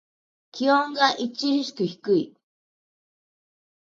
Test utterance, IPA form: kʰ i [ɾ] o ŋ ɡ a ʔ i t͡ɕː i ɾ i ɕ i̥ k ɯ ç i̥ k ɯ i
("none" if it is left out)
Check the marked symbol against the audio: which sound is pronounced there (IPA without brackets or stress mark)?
none